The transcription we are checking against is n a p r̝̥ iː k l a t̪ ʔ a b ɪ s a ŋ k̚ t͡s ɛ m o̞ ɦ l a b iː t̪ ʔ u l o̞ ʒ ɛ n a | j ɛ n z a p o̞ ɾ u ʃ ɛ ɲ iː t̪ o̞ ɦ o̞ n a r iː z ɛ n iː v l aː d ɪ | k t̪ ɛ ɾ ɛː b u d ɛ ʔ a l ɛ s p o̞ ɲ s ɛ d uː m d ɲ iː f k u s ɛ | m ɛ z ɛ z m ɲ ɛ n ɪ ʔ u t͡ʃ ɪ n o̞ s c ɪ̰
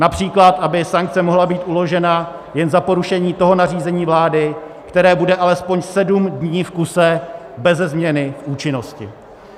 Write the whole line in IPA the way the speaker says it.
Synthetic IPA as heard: n a p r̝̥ iː k l a t̪ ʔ a b ɪ s a ŋ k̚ t͡s ɛ m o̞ ɦ l a b iː t̪ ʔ u l o̞ ʒ ɛ n a | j ɛ n z a p o̞ ɾ u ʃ ɛ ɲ iː t̪ o̞ ɦ o̞ n a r iː z ɛ ɲ iː v l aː d ɪ | k t̪ ɛ ɾ ɛː b u d ɛ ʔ a l ɛ s p o̞ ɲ s ɛ d u m d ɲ iː f k u s ɛ | b ɛ z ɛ z m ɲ ɛ n ɪ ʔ uː t͡ʃ ɪ n o̞ s c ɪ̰